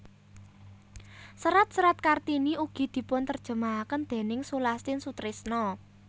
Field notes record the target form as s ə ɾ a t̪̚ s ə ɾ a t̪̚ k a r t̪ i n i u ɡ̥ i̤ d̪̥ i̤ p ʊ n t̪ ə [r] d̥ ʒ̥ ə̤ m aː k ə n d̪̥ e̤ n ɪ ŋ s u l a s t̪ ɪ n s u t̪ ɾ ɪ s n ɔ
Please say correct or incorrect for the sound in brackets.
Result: correct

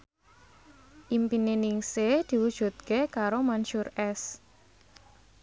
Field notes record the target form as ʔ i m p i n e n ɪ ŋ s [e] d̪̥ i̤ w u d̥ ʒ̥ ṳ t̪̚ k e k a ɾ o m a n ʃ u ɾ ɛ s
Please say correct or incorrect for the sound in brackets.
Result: correct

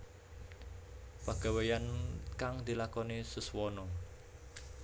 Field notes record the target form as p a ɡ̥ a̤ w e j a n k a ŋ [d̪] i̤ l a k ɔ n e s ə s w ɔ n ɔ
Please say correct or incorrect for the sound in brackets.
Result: correct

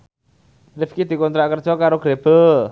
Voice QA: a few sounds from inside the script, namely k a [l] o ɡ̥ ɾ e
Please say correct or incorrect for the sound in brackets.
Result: incorrect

